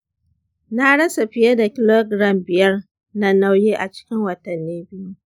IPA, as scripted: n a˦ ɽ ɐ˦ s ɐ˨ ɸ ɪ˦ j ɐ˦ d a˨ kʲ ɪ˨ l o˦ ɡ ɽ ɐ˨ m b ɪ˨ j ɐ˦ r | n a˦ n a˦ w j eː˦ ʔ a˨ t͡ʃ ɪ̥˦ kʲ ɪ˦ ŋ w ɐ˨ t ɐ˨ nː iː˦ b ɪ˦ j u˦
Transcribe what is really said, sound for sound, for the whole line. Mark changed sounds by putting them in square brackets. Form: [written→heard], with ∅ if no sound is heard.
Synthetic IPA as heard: n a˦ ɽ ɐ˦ s [ɐ˨→a˨] ɸ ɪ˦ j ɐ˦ d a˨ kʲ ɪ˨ l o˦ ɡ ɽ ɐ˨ m b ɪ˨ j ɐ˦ r | n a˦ n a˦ w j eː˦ ʔ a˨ t͡ʃ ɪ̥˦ kʲ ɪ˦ ŋ w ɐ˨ t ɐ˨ nː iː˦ b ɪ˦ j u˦